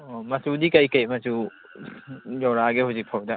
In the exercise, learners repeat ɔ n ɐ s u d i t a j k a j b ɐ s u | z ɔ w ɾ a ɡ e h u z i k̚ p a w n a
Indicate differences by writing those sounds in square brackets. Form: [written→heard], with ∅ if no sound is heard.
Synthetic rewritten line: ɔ [n→m] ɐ s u d i [t→k] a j k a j [b→m] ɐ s u | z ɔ w ɾ a ɡ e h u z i k̚ [p→pʰ] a w [n→d] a